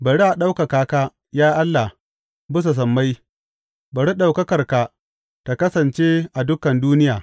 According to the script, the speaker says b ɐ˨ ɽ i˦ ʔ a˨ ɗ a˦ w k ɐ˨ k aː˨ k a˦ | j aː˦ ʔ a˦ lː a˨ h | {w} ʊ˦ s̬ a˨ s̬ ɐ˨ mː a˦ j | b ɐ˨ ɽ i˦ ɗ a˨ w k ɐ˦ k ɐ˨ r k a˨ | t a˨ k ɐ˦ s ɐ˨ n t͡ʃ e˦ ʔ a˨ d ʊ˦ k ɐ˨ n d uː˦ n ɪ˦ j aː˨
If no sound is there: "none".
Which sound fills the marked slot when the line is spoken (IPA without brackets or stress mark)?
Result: b